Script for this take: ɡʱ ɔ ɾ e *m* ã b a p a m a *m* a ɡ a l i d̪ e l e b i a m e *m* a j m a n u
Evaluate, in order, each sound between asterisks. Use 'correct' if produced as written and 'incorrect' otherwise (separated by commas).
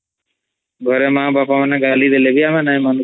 correct, incorrect, incorrect